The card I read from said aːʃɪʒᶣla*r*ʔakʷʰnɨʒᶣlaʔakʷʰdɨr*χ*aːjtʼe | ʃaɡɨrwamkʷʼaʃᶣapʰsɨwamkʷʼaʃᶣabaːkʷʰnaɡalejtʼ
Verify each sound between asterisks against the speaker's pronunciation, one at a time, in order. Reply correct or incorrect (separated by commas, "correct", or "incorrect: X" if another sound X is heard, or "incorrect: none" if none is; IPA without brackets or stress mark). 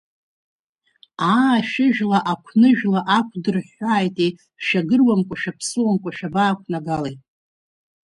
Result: incorrect: none, incorrect: ħ